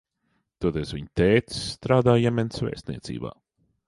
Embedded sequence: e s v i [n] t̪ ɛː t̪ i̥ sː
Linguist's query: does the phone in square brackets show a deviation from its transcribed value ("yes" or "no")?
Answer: yes